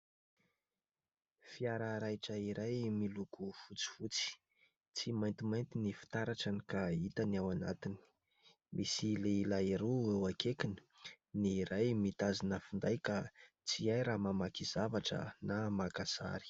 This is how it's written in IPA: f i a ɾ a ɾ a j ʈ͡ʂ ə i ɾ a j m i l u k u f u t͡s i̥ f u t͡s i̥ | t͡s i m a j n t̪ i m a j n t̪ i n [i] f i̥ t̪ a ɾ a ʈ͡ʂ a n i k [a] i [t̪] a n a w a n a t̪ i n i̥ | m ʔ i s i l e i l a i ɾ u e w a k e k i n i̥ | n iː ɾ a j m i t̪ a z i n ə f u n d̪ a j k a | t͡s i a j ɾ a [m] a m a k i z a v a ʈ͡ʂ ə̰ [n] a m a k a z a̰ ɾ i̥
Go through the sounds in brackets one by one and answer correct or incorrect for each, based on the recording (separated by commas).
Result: correct, correct, correct, correct, correct